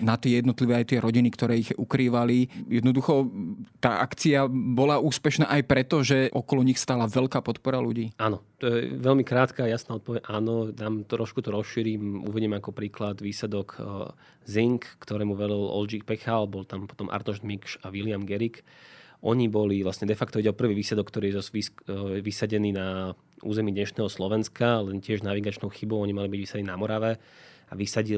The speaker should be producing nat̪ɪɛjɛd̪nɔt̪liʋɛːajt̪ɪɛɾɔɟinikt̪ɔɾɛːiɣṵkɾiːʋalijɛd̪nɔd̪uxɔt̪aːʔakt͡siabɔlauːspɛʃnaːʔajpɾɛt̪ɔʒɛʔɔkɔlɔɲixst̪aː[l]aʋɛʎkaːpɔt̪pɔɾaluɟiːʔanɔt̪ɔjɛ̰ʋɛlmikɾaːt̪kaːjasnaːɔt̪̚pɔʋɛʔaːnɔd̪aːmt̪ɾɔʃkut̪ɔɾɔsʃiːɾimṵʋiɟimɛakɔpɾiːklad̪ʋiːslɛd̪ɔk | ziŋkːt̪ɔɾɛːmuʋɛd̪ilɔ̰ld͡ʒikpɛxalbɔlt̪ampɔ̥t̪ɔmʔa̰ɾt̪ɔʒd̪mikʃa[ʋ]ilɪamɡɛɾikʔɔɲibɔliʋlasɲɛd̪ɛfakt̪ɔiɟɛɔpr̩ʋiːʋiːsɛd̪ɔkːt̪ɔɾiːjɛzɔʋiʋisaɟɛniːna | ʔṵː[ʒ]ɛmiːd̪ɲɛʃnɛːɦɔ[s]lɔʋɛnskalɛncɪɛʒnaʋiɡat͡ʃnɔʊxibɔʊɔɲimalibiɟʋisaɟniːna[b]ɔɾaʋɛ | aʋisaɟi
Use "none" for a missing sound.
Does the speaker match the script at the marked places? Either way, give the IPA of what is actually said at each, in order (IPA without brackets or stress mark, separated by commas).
l, ʋ, z, s, m